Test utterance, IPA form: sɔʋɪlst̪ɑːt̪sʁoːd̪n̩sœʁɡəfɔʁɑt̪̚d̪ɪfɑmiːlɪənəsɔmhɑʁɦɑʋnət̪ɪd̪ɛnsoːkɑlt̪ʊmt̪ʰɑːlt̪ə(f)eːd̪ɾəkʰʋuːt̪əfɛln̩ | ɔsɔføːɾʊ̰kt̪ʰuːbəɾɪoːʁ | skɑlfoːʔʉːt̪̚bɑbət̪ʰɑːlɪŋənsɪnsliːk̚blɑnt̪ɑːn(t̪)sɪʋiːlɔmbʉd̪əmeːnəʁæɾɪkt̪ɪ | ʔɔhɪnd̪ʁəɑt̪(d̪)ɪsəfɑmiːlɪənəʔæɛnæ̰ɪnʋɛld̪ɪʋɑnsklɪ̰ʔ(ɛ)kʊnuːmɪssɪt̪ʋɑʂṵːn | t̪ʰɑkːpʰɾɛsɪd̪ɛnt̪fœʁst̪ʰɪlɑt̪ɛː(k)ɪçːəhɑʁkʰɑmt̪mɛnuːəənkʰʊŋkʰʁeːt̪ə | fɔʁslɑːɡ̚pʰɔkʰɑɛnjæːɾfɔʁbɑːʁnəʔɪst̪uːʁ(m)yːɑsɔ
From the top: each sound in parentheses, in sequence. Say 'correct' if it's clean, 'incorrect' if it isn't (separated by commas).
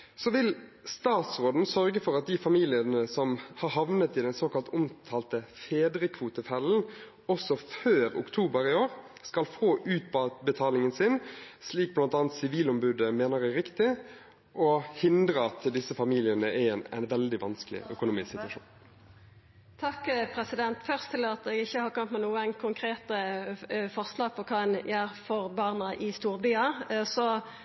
correct, correct, correct, incorrect, incorrect, incorrect